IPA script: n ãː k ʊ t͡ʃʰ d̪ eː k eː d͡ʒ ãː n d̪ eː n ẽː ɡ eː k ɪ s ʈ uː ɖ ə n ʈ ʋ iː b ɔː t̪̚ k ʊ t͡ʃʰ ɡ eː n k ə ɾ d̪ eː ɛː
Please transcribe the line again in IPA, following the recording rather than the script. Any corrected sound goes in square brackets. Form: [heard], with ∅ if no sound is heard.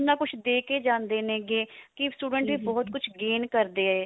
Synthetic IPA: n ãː k ʊ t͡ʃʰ d̪ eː k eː d͡ʒ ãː n d̪ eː n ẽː ɡ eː k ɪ s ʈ uː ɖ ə [ɳ] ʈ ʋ iː b ɔː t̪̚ k ʊ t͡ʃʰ ɡ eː n k ə ɾ d̪ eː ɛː